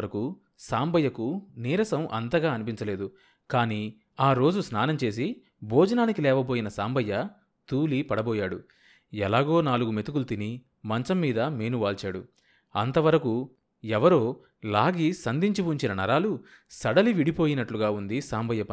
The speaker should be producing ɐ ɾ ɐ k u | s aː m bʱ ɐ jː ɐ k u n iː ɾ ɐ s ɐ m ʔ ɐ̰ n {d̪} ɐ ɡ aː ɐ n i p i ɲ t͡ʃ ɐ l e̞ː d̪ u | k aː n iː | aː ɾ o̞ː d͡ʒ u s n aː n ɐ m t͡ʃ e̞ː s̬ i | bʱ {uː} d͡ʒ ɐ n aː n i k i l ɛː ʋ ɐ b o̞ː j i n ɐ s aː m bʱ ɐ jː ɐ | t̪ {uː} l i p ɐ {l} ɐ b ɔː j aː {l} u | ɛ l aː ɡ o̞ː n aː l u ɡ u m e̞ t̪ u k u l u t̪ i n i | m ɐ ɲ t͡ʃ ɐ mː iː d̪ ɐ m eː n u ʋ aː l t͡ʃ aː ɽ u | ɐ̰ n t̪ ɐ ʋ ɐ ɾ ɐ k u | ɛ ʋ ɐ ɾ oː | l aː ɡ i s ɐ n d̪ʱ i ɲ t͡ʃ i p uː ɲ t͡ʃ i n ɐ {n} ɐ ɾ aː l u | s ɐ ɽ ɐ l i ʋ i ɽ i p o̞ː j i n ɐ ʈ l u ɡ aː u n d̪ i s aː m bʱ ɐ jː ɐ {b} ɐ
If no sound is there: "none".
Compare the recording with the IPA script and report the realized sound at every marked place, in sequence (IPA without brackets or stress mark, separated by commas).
t̪, ɔː, uː, ɽ, ɽ, n, p